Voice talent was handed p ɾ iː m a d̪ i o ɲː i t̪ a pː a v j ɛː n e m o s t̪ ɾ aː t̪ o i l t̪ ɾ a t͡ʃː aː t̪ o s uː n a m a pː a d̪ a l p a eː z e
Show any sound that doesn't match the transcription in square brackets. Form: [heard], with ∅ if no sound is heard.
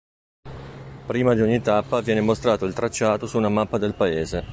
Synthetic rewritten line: p ɾ iː m a d̪ i o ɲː i t̪ a pː a v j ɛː n e m o s t̪ ɾ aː t̪ o i l t̪ ɾ a t͡ʃː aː t̪ o s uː n a m a pː a d̪ [e] l p a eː z e

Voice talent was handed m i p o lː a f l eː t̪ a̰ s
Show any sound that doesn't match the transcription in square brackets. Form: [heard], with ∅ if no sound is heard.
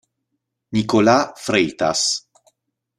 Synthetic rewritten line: [n] i [k] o [l] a f [ɾ] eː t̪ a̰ s

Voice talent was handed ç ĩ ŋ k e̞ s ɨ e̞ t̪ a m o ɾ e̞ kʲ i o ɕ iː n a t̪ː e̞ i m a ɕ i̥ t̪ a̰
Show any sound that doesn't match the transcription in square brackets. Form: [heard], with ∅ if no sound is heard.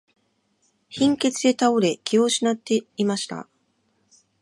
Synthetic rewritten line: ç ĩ ŋ k e̞ [t͡s] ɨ e̞ t̪ a [∅] o ɾ e̞ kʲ i o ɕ [i] n a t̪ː e̞ i m a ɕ i̥ t̪ a̰

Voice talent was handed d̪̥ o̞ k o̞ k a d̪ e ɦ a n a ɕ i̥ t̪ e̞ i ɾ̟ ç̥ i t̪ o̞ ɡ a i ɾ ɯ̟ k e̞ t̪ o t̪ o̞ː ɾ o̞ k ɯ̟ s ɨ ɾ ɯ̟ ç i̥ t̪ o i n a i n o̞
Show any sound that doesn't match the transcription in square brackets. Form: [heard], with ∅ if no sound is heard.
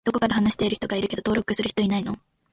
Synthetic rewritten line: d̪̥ o̞ k o̞ k a d̪ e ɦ a n a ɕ i̥ t̪ e̞ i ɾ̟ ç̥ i t̪ o̞ ɡ a i ɾ ɯ̟ k e̞ [d̪] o t̪ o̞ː ɾ o̞ k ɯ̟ s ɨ ɾ ɯ̟ ç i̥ t̪ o i n a i n o̞

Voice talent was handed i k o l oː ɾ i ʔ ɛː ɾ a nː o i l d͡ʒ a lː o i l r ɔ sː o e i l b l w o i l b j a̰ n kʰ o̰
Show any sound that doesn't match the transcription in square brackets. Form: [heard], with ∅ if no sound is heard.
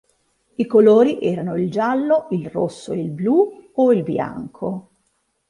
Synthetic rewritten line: i k o l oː ɾ i ʔ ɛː ɾ a [n] o i l d͡ʒ a lː o i l r [o] sː o e i l b l [u] o i l b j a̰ [ŋ] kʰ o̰

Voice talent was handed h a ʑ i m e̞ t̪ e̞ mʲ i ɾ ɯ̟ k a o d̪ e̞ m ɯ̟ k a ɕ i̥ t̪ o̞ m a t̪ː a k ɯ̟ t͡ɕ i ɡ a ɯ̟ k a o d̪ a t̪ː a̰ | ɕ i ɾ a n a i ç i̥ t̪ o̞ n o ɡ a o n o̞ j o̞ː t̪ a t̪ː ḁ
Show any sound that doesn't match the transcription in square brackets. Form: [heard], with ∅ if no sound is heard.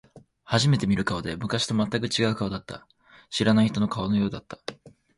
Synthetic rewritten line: h a ʑ i m e̞ t̪ e̞ mʲ i ɾ ɯ̟ k a o d̪ e̞ m ɯ̟ k a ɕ i̥ t̪ o̞ m a t̪ː a k ɯ̟ t͡ɕ i ɡ a ɯ̟ k a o d̪ a t̪ː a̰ | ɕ i ɾ a n a i ç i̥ t̪ o̞ n o [k] a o n o̞ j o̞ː [d̪] a t̪ː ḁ

